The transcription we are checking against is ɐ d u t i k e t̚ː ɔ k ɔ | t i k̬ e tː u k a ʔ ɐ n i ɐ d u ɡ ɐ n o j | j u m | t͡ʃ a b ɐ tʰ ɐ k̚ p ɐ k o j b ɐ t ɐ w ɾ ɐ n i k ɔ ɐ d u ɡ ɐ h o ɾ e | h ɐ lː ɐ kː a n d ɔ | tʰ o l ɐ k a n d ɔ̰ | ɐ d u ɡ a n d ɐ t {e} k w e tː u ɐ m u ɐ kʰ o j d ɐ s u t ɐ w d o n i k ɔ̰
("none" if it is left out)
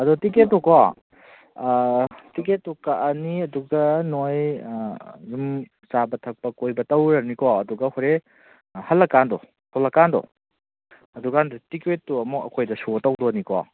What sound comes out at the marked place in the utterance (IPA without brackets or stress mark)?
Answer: i